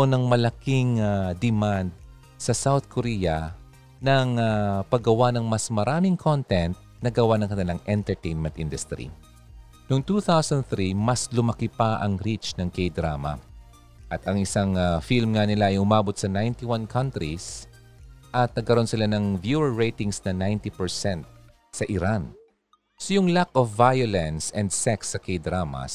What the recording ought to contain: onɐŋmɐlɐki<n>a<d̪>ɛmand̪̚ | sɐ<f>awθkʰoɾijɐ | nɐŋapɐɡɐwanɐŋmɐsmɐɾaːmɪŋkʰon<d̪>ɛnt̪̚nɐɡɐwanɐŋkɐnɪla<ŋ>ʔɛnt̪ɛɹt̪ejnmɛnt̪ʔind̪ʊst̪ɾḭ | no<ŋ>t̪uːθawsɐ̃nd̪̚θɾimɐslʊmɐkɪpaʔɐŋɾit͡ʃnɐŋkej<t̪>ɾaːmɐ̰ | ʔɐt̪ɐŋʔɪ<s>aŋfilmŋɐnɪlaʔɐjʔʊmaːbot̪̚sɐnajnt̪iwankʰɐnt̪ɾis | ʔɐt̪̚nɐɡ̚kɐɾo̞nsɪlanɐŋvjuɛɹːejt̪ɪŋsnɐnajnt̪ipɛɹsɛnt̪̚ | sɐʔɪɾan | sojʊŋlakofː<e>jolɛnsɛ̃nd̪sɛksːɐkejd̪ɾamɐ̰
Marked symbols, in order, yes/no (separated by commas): no, yes, no, no, yes, yes, no, yes, no